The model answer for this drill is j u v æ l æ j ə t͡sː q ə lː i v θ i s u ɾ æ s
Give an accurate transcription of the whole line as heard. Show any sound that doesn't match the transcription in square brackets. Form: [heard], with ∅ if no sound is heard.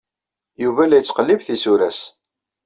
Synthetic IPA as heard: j u v æ l æ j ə t͡sː q ə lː i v θ i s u ɾ æ s